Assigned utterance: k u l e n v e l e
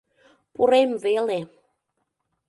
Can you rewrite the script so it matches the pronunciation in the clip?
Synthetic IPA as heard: p u ɾ e m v e l e

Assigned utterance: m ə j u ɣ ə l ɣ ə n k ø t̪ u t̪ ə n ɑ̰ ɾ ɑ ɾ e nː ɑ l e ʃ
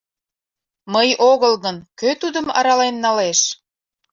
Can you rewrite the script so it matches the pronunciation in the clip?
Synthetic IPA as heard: m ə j o ɣ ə l ɣ ə n k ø t̪ u d̪ ə m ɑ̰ ɾ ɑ l e nː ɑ l e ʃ

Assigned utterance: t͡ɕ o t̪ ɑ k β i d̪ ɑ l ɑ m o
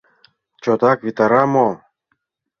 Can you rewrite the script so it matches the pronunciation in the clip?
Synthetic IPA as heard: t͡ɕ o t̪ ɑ k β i t̪ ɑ ɾ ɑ m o

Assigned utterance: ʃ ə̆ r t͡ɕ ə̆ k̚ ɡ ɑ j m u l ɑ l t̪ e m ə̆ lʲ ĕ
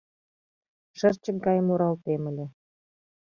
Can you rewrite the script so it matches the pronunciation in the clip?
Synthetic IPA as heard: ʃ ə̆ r t͡ɕ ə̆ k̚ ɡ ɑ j m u ɾ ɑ l t̪ e m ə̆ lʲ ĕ

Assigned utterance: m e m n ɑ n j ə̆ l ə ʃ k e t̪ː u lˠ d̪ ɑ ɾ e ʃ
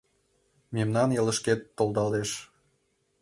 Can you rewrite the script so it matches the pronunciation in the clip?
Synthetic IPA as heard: m e m n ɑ n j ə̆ l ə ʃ k e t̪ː o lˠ d̪ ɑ l e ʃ

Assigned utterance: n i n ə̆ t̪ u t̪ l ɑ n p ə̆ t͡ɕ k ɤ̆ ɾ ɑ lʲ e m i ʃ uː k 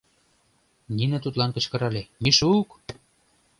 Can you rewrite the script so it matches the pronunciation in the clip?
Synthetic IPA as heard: n i n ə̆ t̪ u t̪ l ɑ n k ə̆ t͡ɕ k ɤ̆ ɾ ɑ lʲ e m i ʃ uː k

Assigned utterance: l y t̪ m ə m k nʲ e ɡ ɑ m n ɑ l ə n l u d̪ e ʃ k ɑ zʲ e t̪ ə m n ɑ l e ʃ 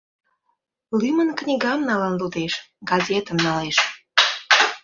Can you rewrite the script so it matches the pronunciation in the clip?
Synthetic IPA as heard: l y m ə n k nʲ i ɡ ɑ m n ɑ l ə n l u d̪ e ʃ ɡ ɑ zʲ e t̪ ə m n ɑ l e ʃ

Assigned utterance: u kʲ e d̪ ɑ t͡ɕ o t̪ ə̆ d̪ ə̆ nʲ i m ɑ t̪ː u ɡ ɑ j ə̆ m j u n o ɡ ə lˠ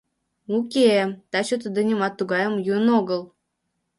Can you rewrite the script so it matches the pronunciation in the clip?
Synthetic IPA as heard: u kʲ e t̪ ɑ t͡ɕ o t̪ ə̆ d̪ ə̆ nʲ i m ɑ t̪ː u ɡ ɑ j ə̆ m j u n o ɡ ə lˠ

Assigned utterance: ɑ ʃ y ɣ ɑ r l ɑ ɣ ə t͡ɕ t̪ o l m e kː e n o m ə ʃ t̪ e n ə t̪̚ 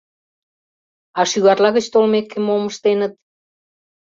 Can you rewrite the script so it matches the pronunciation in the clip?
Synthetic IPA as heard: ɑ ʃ y ɣ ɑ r l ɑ ɣ ə t͡ɕ t̪ o l m e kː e m o m ə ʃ t̪ e n ə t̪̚

